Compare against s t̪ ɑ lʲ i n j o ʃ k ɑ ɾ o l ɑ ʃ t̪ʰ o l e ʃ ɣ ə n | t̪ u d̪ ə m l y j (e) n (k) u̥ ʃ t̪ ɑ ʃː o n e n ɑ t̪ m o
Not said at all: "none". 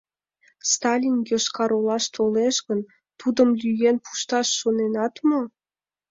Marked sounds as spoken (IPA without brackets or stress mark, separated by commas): e, p